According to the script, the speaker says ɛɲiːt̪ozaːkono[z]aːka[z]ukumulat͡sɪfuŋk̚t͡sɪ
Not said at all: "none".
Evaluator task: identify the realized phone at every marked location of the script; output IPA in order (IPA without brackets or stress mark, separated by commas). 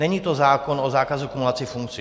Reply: z, z